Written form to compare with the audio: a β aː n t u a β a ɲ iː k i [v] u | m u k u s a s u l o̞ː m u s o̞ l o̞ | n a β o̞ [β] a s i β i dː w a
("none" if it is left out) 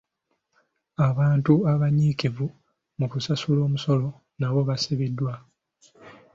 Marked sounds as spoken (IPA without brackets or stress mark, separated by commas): v, β